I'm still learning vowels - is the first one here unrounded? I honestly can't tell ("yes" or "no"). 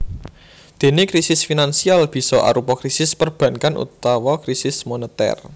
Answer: yes